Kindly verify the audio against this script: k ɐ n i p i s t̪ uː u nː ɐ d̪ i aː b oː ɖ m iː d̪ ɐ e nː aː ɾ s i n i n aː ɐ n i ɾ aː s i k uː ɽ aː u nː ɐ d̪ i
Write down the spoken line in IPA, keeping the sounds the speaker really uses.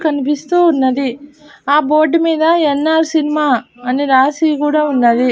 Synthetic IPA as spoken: k ɐ n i p i s t̪ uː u nː ɐ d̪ i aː b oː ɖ m iː d̪ ɐ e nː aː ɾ s i n i m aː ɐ n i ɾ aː s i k uː ɽ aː u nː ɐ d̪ i